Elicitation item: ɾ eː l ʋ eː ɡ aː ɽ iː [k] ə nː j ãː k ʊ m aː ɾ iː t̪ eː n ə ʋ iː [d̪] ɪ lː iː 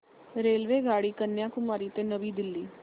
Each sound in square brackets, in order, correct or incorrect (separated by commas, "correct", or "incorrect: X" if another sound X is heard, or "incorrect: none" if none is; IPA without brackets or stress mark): correct, correct